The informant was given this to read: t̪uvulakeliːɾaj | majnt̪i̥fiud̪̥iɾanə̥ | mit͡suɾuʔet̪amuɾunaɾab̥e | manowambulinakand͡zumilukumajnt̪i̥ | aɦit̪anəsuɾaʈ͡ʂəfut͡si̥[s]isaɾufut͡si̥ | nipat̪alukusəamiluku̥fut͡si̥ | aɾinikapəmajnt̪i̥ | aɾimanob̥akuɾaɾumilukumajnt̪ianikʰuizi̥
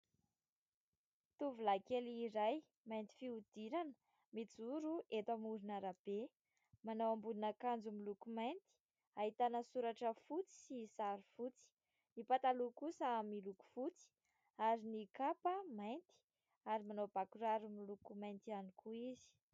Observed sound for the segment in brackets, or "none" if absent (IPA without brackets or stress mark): s